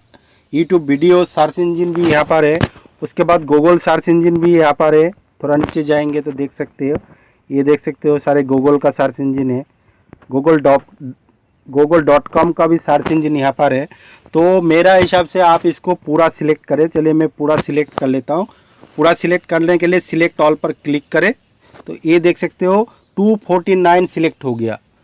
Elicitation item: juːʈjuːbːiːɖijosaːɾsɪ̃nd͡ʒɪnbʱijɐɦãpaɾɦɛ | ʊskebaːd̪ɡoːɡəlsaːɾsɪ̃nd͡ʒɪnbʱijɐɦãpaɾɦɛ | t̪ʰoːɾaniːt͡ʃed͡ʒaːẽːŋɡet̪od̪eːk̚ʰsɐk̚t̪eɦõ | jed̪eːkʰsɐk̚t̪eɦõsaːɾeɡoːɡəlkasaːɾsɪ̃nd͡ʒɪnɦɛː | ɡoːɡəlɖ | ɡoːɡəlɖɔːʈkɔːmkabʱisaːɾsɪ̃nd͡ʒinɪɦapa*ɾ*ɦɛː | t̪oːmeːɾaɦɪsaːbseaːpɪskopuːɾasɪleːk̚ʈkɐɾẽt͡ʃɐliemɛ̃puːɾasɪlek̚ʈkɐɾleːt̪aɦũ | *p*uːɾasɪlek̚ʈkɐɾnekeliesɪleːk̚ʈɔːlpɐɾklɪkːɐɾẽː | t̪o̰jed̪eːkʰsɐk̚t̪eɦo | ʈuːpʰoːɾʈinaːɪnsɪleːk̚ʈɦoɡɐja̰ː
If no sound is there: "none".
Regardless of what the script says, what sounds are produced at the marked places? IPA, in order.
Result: ɾ, p

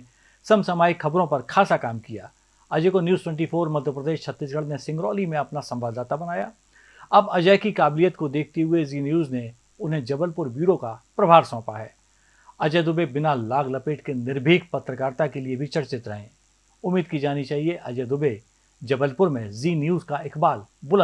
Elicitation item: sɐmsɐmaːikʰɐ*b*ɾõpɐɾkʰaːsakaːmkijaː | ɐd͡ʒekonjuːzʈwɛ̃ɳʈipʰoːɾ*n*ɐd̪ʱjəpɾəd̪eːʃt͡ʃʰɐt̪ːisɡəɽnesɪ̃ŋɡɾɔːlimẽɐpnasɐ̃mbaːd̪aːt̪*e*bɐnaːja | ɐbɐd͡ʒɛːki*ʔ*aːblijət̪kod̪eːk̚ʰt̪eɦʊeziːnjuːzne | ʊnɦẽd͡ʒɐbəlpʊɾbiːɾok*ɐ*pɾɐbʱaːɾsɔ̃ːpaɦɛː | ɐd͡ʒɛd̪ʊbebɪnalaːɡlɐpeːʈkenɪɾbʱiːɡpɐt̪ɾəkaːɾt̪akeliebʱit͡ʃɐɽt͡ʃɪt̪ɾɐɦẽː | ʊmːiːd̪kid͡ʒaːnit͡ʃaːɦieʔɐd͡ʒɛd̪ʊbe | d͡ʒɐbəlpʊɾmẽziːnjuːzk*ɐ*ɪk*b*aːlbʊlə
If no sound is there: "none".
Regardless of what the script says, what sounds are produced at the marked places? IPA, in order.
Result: b, m, a, k, a, a, b

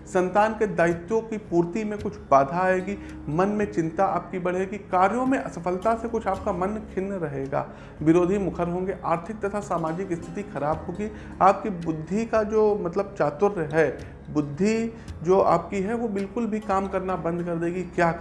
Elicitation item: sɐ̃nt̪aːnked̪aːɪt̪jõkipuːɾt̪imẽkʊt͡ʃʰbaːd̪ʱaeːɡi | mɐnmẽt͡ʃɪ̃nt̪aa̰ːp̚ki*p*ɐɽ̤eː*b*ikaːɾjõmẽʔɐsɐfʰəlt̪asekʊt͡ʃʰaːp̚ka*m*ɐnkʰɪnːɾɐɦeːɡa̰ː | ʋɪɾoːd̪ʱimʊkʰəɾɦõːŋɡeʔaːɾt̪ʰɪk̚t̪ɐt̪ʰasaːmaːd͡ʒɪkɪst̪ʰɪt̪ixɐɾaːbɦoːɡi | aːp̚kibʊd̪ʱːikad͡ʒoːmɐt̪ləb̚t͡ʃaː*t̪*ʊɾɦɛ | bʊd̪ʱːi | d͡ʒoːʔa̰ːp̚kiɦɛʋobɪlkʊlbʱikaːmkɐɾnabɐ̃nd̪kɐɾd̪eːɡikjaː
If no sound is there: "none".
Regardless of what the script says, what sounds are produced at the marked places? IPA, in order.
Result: b, ɡ, m, t̪

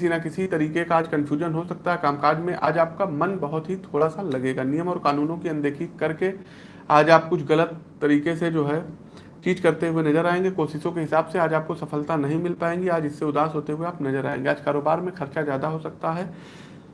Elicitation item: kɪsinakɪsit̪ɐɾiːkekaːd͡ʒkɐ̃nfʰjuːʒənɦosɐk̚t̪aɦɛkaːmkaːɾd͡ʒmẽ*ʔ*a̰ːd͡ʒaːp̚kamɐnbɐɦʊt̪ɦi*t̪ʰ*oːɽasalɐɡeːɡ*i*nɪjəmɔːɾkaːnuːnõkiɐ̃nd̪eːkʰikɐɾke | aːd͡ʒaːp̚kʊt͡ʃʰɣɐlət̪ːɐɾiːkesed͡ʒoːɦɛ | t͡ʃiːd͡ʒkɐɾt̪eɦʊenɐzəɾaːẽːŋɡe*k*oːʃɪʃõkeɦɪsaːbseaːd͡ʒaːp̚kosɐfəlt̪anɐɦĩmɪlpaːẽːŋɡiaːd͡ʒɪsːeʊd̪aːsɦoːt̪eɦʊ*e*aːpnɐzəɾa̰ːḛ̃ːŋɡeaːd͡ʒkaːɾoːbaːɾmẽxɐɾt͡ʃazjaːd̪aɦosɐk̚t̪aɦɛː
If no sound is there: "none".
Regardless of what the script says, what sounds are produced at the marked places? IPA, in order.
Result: ʔ, t̪ʰ, a, k, e

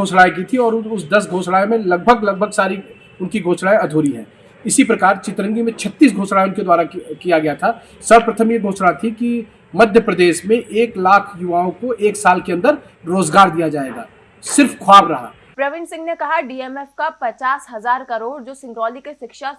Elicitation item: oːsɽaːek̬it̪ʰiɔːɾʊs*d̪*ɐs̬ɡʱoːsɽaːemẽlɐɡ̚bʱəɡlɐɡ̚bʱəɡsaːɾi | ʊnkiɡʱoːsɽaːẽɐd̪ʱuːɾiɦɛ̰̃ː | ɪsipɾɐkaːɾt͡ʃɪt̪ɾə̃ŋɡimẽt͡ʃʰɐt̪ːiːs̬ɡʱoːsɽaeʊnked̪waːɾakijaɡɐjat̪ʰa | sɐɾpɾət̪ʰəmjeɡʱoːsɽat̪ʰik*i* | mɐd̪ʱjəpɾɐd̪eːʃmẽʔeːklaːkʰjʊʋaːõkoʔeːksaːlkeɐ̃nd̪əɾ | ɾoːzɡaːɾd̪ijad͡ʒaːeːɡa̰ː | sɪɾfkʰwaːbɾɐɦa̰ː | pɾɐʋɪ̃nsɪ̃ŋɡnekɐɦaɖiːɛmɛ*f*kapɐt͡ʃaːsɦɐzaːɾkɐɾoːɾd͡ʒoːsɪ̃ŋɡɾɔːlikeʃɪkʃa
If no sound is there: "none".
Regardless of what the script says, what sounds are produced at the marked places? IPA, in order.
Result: d̪, i, f

